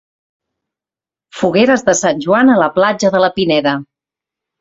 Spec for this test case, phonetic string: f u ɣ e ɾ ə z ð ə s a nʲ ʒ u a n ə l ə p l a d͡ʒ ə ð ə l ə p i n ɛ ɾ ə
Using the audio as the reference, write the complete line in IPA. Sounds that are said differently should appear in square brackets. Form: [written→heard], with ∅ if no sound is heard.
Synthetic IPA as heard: f u ɣ e ɾ ə z ð ə s a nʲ ʒ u a n ə l ə p l a d͡ʒ ə ð ə l ə p i n ɛ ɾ ə